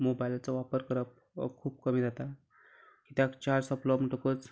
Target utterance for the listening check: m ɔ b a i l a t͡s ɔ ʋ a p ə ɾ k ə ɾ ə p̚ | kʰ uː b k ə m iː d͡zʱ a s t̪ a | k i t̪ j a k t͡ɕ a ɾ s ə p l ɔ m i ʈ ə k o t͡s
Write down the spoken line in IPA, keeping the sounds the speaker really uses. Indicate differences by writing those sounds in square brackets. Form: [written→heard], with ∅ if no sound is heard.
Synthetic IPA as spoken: m [ɔ→o] b a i l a t͡s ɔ ʋ a p ə ɾ k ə ɾ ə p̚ | kʰ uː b k ə m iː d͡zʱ a [s→∅] t̪ a | k i t̪ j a k t͡ɕ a ɾ s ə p l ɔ m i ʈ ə k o t͡s

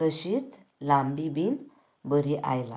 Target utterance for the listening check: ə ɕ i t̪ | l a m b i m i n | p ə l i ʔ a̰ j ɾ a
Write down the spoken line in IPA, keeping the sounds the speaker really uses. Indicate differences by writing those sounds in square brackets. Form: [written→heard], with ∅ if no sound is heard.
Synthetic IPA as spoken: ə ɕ i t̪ | l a m b i [m→b] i n | [p→b] ə [l→ɾ] i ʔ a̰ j [ɾ→l] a

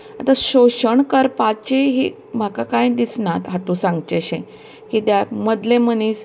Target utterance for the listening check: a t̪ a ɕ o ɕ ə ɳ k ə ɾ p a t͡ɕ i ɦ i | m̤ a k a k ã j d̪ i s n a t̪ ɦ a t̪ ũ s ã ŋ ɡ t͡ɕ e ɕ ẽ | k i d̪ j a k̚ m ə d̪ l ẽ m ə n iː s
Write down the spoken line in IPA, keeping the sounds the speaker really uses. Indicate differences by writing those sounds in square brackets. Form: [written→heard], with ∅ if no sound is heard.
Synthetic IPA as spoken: a t̪ a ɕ o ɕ ə ɳ k ə ɾ p a t͡ɕ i ɦ i | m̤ a k a k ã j d̪ i s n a t̪ ɦ a t̪ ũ s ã ŋ ɡ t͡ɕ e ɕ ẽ | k i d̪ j a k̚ m ə d̪ l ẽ m ə n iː s

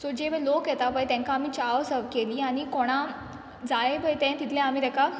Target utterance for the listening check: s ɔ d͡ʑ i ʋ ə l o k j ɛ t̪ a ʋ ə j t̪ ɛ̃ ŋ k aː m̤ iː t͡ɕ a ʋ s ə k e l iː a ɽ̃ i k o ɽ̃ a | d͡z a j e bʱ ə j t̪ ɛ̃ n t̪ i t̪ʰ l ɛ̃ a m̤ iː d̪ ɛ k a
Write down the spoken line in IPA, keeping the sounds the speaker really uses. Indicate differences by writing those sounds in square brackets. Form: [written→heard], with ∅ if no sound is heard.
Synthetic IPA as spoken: s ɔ d͡ʑ [i→e] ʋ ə l o k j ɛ t̪ a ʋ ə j t̪ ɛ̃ ŋ k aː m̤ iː t͡ɕ a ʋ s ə k e l iː a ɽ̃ i k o ɽ̃ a | d͡z a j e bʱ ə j t̪ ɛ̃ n t̪ i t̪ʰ l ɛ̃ a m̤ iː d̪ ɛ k a

